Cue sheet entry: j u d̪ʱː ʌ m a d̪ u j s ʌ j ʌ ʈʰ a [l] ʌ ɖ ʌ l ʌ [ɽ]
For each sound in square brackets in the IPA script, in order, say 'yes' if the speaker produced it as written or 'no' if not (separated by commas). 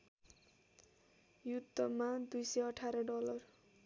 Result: no, no